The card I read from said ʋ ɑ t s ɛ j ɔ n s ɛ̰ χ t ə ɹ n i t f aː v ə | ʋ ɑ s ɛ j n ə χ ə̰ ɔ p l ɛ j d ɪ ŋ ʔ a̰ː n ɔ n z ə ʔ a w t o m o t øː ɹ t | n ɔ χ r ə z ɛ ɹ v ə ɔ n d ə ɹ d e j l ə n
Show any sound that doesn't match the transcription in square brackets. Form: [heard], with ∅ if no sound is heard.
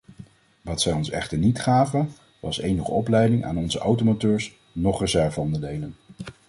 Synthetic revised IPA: ʋ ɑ t s ɛ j ɔ n s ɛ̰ χ t ə ɹ n i t [χ] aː v ə | ʋ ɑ s [e] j n ə χ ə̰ ɔ p l ɛ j d ɪ ŋ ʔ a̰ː n ɔ n z ə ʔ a w t o m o t øː ɹ [s] | n ɔ χ r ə z ɛ ɹ v ə ɔ n d ə ɹ d e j l ə n